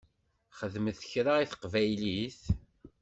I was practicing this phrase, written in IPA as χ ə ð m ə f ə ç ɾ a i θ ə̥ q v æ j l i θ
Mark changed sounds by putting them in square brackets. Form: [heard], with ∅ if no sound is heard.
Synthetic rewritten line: χ ə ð m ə [θ] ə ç ɾ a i θ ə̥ q v æ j l i θ